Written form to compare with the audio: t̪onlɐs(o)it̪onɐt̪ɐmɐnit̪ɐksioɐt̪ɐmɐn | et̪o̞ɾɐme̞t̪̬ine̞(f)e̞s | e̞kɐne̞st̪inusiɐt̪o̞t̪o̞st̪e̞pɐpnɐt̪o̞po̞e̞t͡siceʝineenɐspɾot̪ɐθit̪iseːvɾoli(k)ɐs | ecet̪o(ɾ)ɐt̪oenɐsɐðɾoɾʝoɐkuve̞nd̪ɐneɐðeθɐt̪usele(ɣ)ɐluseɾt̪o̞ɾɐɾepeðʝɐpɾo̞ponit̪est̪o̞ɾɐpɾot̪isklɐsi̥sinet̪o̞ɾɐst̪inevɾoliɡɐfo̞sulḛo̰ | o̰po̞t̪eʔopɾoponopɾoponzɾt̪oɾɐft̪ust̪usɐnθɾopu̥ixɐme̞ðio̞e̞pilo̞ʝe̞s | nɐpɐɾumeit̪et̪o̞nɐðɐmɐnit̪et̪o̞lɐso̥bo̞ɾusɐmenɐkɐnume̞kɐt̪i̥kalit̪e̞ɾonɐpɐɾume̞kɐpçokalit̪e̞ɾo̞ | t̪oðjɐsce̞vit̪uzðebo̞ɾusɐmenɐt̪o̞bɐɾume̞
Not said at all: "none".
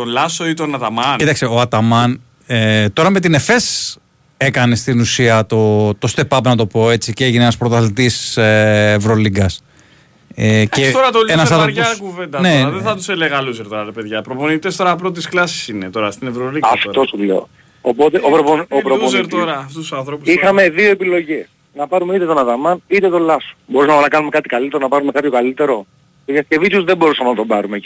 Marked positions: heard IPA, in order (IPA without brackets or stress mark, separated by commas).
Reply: o, f, ɡ, ɾ, ɣ